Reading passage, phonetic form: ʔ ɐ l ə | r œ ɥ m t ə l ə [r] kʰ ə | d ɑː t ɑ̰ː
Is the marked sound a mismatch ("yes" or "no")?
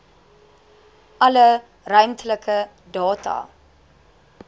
yes